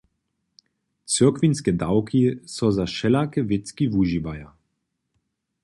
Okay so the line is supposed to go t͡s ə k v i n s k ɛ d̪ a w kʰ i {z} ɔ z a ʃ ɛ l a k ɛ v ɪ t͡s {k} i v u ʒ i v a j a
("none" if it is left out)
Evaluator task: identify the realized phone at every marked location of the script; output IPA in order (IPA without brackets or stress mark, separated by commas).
s, k